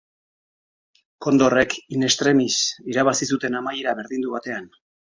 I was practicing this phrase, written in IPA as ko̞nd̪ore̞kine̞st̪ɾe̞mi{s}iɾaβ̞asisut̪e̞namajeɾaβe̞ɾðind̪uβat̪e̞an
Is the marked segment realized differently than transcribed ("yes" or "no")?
no